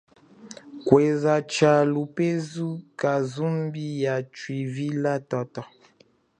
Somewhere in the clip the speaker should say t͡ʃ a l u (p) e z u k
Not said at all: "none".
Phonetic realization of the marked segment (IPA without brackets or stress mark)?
p